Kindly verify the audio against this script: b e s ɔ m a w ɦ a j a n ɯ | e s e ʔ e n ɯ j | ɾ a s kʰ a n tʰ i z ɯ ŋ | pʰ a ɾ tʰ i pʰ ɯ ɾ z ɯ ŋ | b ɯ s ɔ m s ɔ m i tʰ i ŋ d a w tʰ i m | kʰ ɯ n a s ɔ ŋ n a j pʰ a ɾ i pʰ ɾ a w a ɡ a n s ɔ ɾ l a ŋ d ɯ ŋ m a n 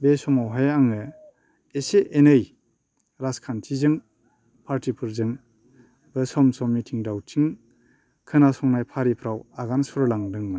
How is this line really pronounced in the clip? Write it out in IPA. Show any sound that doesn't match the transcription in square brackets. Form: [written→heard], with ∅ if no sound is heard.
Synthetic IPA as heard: b e s ɔ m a w ɦ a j a [n→ŋ] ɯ | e s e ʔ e n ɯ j | ɾ a s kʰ a n tʰ i z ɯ ŋ | pʰ a ɾ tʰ i pʰ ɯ ɾ z ɯ ŋ | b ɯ s ɔ m s ɔ m i tʰ i ŋ d a w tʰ i [m→ŋ] | kʰ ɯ n a s ɔ ŋ n a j pʰ a ɾ i pʰ ɾ a w a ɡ a n s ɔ ɾ l a ŋ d ɯ ŋ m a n